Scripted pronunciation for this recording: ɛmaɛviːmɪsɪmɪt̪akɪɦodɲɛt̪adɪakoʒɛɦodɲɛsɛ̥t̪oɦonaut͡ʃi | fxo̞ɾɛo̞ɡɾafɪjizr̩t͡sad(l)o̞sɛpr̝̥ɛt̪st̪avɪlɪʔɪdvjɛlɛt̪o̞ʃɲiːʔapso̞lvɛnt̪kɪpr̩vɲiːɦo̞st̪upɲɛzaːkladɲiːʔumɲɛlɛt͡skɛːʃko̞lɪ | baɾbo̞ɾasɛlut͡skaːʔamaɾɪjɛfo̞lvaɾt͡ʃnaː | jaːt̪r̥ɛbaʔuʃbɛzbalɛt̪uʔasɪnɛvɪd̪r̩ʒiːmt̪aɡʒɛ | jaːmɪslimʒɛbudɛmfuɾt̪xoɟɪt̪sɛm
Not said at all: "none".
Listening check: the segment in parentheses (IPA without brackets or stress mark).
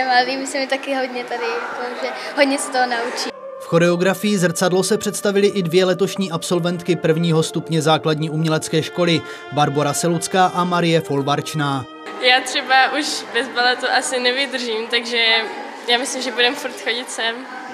l